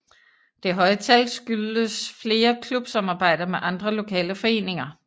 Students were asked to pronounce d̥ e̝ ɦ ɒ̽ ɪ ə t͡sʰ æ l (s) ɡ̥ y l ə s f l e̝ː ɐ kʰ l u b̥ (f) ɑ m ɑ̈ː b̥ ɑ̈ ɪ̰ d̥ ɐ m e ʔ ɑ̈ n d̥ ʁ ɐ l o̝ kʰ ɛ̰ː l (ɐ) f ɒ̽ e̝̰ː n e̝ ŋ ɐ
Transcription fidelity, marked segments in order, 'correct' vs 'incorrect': correct, incorrect: s, incorrect: ə

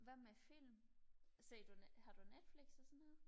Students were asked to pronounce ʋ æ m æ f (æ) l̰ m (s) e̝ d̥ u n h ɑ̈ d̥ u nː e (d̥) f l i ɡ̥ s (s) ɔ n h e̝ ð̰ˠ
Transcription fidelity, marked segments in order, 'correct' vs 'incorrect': incorrect: i, correct, correct, correct

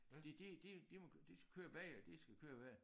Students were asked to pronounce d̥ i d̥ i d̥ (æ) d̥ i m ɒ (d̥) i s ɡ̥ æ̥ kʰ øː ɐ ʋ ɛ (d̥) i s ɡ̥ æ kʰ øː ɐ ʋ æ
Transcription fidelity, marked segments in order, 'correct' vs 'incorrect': incorrect: i, correct, correct

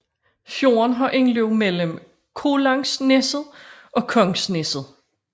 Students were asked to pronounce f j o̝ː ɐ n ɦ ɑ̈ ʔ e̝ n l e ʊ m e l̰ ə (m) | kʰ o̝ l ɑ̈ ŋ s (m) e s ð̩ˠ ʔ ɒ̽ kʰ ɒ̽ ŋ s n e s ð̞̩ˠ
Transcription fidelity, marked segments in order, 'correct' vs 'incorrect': correct, incorrect: n

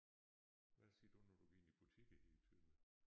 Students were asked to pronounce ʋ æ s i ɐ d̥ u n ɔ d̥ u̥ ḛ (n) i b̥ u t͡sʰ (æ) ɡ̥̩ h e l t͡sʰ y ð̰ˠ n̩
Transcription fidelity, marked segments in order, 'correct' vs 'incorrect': correct, incorrect: i

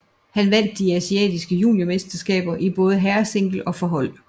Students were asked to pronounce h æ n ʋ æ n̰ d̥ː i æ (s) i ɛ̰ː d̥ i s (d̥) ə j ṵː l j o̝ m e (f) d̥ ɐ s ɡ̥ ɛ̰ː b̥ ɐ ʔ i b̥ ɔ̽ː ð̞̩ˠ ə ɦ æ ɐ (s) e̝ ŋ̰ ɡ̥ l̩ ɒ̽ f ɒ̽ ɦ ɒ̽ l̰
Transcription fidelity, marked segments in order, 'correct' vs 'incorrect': correct, incorrect: ɡ̥, incorrect: s, correct

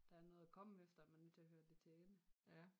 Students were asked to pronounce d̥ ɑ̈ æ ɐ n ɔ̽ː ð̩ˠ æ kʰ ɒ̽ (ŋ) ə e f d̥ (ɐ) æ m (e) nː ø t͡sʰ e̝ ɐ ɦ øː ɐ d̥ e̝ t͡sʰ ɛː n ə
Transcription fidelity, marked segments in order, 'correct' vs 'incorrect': incorrect: m, correct, incorrect: æ

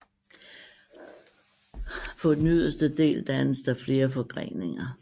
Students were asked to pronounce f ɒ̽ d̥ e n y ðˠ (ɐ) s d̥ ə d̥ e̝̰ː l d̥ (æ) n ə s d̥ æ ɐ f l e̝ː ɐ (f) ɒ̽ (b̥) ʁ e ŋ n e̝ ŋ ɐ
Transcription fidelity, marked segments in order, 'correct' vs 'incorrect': correct, correct, correct, incorrect: ɡ̥

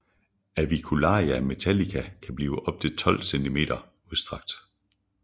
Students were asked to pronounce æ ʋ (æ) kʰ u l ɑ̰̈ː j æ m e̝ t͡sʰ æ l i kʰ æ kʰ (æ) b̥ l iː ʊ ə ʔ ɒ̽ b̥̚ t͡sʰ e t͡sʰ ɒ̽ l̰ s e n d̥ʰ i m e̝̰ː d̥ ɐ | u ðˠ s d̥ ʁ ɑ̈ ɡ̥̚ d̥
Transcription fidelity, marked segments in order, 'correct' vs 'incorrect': incorrect: i, correct

